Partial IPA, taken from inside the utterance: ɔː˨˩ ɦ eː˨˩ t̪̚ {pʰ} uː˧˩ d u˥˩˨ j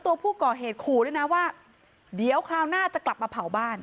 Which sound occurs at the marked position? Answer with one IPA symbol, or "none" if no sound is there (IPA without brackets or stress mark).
kʰ